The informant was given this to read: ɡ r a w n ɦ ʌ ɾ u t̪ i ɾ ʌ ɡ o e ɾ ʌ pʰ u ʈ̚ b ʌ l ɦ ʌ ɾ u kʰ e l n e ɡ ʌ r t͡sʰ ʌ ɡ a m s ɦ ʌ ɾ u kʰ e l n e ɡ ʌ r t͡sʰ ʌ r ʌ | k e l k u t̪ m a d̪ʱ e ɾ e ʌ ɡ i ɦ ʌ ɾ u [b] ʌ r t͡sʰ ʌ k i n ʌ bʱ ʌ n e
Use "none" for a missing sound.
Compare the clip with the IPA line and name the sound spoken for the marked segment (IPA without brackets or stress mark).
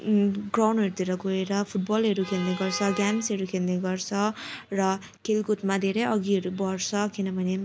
b